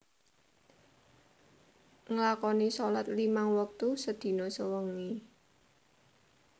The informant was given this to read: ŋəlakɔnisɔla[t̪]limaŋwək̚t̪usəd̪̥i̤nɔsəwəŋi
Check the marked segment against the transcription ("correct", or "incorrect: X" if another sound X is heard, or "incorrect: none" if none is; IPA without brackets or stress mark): correct